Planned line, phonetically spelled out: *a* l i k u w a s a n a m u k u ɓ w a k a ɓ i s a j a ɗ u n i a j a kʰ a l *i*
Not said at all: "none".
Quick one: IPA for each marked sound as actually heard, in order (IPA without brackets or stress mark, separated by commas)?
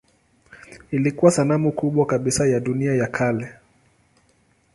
i, ɛ